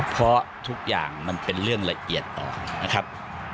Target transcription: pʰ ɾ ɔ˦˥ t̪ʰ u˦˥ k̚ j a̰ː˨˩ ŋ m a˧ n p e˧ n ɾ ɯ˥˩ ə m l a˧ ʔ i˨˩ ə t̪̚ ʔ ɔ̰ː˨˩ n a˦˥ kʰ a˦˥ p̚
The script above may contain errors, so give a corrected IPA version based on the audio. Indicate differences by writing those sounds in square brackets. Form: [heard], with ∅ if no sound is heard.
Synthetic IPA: pʰ ɾ ɔ˦˥ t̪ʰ u˦˥ k̚ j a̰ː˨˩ ŋ m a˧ n p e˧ n ɾ ɯ˥˩ ə [ŋ] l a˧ ʔ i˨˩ ə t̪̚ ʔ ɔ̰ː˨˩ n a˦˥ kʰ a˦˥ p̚